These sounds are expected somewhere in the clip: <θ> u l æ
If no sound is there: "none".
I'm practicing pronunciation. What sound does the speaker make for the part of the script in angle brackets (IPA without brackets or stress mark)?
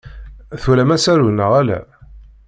θ